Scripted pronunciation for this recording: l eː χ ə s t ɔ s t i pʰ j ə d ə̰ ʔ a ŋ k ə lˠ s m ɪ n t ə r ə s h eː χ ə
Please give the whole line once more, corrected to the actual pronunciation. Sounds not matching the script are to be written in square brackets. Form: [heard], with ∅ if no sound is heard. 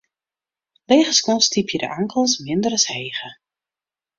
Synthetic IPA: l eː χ ə s [k] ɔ s t i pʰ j ə d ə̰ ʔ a ŋ k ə lˠ s m ɪ n [d] ə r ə s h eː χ ə